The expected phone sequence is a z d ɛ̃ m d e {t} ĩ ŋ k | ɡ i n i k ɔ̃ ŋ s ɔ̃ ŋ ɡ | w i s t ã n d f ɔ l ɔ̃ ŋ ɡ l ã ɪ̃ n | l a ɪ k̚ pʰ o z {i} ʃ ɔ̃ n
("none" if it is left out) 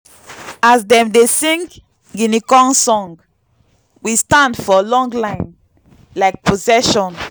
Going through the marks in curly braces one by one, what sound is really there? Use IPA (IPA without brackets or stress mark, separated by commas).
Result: s, ɛ